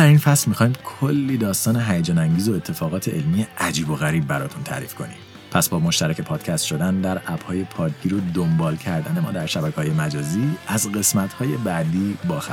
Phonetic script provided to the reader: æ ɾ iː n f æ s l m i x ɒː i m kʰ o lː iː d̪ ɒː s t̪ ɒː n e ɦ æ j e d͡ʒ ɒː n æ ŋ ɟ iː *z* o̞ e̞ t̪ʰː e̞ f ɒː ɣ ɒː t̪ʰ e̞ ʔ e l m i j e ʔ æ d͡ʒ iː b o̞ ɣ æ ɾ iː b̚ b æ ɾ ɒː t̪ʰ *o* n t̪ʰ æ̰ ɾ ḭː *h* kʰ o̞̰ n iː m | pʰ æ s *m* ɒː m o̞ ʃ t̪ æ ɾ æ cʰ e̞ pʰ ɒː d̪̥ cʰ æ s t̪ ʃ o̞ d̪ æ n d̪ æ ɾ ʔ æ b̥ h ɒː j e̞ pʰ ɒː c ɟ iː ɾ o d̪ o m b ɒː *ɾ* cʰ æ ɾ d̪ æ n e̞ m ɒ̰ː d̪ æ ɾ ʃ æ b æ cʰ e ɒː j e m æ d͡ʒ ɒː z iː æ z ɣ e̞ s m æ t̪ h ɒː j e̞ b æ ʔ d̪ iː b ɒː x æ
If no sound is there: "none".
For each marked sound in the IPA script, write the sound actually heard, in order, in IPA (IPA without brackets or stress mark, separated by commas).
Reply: z, u, f, b, l